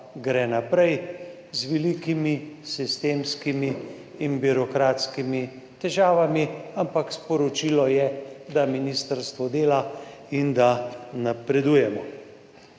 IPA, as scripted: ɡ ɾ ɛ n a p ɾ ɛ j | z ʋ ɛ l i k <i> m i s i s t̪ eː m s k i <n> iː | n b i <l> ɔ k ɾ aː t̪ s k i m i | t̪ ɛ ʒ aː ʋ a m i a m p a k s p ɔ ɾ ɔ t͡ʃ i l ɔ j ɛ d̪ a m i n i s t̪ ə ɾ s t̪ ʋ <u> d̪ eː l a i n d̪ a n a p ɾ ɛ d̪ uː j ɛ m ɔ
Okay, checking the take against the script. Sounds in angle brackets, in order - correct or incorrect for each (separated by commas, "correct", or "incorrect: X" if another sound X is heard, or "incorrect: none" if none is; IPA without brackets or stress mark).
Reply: correct, incorrect: m, incorrect: ɾ, incorrect: ɔ